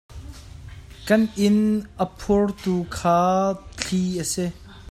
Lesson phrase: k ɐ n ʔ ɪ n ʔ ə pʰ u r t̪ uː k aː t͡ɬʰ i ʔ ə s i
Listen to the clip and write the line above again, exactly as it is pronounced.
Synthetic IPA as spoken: k ɐ n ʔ ɪ n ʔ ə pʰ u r t̪ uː kʰ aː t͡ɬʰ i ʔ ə s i